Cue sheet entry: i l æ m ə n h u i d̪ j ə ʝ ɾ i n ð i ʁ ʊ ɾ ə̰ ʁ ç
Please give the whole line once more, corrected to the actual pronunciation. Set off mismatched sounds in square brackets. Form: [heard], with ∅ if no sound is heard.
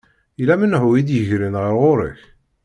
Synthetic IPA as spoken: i l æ m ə n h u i d̪ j ə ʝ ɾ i n [ʁ] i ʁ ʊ ɾ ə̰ [∅] ç